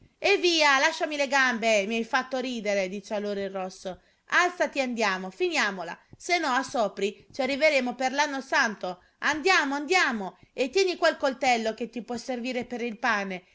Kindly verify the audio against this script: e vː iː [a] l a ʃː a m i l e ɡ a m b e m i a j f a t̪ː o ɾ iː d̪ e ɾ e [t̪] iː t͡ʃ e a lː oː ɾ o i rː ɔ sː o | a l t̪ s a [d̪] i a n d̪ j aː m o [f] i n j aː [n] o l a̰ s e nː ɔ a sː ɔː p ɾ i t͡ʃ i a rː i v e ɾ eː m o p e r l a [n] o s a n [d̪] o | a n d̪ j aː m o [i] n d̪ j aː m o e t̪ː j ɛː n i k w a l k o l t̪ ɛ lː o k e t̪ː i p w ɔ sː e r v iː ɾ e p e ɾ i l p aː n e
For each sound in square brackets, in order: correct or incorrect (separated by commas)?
correct, incorrect, incorrect, correct, incorrect, incorrect, incorrect, incorrect